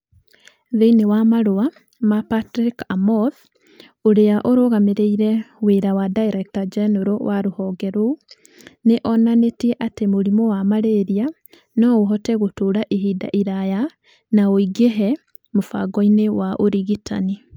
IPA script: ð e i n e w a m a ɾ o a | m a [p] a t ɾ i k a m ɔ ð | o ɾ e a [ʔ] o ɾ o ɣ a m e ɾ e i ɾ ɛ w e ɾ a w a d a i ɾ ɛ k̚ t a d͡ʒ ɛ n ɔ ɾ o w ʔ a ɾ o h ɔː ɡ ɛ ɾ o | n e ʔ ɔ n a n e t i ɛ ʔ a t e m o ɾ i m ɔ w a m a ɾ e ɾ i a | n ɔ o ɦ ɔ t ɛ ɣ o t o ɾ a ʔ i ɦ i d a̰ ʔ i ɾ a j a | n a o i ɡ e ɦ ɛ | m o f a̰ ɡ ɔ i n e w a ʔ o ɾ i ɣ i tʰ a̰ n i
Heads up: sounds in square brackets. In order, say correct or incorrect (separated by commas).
correct, correct